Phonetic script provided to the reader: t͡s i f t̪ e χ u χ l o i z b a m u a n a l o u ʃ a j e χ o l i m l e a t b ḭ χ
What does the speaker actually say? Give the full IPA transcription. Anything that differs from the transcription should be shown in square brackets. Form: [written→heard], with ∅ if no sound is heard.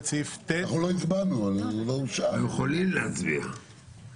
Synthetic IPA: t͡s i f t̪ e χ u [χ→∅] l o i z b a [m→n] u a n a l o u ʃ a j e χ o l i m l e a [t→t͡s] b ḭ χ